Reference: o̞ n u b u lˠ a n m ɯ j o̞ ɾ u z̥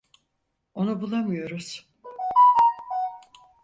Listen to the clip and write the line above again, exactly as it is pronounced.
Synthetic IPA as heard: o̞ n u b u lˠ a m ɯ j o̞ ɾ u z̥